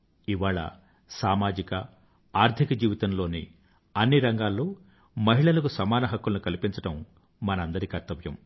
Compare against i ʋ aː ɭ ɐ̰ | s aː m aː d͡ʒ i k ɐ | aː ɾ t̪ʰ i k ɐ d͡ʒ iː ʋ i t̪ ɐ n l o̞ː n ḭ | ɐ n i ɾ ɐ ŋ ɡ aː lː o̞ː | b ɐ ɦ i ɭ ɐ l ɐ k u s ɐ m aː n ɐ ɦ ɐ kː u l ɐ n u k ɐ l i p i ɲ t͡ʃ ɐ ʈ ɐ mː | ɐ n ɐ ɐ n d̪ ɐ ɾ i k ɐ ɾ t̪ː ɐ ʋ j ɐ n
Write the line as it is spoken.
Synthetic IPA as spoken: i ʋ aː ɭ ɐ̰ | s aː m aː d͡ʒ i k ɐ | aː ɾ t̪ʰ i k ɐ d͡ʒ iː ʋ i t̪ ɐ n l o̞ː n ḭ | ɐ nː i ɾ ɐ ŋ ɡ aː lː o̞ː | m ɐ ɦ i ɭ ɐ l ɐ k u s ɐ m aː n ɐ ɦ ɐ kː u l ɐ n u k ɐ l i p i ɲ t͡ʃ ɐ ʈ ɐ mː | ɐ n ɐ ɐ n d̪ ɐ ɾ i k ɐ ɾ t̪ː ɐ ʋ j ɐ m

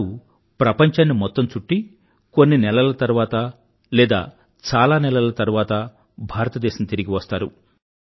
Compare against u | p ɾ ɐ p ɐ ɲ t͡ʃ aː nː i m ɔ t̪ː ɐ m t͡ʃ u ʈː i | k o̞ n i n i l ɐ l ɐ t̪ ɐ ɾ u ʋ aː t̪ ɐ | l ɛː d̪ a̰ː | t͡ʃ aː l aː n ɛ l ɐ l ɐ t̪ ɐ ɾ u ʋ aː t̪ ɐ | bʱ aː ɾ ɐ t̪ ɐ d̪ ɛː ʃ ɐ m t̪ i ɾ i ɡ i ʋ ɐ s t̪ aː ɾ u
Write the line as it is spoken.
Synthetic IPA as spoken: u | p ɾ ɐ p ɐ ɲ t͡ʃ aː nː i m ɔ t̪ː ɐ m t͡ʃ u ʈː i | k o̞ nː i n ɛ l ɐ l ɐ t̪ ɐ ɾ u ʋ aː t̪ ɐ | l ɛː d̪ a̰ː | t͡ʃ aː l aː n ɛ l ɐ l ɐ t̪ ɐ ɾ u ʋ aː t̪ ɐ | bʱ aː ɾ ɐ t̪ ɐ d̪ ɛː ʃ ɐ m t̪ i ɾ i ɡ i ʋ ɐ s t̪ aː ɾ u

